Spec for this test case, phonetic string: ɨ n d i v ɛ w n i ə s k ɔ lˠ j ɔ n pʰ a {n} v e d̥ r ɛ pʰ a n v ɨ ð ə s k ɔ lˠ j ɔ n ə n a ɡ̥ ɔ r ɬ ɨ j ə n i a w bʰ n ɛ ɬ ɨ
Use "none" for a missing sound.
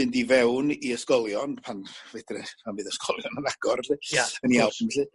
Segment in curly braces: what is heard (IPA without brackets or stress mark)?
n